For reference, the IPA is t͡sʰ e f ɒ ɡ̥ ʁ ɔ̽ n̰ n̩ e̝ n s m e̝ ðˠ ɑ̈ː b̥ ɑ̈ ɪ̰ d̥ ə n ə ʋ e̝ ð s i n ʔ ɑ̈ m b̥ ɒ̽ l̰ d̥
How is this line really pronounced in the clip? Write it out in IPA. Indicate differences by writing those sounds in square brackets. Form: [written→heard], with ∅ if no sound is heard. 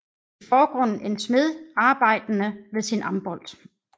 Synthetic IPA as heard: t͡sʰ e f [ɒ→ɒː] ɡ̥ ʁ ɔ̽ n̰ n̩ e̝ n s m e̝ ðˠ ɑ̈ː b̥ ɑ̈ ɪ̰ d̥ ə n ə ʋ e̝ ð s i n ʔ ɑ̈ m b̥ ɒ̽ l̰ d̥